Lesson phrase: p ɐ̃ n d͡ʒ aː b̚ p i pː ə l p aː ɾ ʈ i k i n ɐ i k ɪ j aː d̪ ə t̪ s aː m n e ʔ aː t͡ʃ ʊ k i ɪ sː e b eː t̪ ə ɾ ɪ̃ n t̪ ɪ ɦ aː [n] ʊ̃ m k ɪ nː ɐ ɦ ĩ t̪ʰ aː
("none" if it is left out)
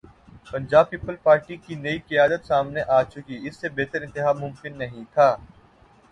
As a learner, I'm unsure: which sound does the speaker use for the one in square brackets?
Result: m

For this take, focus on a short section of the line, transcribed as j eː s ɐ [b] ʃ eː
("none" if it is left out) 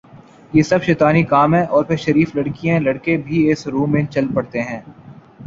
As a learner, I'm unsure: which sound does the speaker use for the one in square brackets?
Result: b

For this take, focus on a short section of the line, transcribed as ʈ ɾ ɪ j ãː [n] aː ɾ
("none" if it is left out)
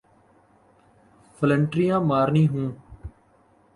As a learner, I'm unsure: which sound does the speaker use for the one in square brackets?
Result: m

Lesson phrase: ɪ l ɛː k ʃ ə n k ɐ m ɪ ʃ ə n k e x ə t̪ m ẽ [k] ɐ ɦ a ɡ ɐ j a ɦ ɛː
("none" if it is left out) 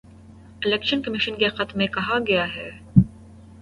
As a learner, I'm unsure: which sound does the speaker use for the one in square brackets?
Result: k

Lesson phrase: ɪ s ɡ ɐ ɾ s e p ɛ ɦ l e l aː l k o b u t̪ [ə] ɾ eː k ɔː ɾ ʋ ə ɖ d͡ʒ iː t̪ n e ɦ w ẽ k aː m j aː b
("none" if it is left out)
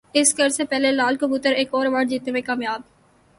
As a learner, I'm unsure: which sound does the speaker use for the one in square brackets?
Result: ə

